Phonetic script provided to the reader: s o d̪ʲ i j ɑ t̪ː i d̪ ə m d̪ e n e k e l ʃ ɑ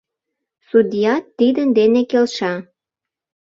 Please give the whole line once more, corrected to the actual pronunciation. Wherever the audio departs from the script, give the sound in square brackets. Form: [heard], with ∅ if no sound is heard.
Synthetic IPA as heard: s [u] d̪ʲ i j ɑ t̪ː i d̪ ə [n] d̪ e n e k e l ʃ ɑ